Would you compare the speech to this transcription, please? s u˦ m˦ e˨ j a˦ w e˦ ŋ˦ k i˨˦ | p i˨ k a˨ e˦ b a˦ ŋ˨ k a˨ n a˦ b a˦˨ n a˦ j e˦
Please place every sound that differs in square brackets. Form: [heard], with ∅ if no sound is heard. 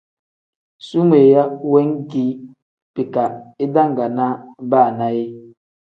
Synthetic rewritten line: s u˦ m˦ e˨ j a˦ w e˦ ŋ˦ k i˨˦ | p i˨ k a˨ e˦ [d] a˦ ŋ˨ [ɡ] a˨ n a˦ b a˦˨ n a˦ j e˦